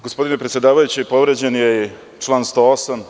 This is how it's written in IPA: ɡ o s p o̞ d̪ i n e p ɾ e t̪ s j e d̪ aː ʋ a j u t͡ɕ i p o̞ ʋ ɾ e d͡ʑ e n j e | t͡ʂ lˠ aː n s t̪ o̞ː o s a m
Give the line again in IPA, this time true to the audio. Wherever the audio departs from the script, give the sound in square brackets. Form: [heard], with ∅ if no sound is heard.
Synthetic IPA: ɡ o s p o̞ d̪ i n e p ɾ e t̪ s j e d̪ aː ʋ a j u t͡ɕ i p o̞ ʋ ɾ e d͡ʑ e n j e | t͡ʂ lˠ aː n s t̪ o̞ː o s a m